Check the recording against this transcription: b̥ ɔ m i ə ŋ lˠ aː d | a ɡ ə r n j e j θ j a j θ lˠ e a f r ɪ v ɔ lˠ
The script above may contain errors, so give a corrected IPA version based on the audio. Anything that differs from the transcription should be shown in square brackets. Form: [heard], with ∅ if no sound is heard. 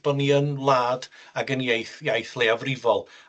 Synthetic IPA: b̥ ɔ [n] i ə [n] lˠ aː d | a ɡ ə [∅] n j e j θ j a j θ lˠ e a [v] r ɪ v ɔ lˠ